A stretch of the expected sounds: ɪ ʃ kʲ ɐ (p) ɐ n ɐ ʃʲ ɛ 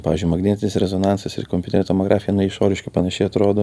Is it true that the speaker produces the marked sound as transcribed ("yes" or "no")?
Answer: yes